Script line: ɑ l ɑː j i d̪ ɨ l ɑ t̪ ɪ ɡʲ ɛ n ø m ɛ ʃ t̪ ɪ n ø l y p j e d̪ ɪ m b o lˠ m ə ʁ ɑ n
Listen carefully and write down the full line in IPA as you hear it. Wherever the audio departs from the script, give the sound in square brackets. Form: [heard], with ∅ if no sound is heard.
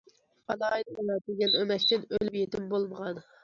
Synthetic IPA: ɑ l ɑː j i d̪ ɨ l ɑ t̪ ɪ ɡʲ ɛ n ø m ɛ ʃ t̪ ɪ n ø l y p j e [t̪] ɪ m b o lˠ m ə ʁ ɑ n